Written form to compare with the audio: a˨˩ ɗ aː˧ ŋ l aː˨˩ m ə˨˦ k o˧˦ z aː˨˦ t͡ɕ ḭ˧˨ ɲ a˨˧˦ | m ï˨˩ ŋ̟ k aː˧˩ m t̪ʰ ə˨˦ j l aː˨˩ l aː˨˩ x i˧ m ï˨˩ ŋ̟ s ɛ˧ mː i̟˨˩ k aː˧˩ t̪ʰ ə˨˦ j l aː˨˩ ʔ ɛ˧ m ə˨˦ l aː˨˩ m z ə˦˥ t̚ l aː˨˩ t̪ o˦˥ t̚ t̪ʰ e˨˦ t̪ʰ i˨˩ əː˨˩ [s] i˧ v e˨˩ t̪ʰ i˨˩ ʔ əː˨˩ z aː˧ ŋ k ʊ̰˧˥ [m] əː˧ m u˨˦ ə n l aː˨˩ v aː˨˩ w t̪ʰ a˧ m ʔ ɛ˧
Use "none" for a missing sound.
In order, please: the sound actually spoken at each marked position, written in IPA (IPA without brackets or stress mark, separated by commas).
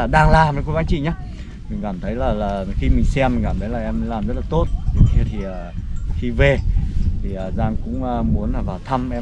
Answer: x, ŋ͡m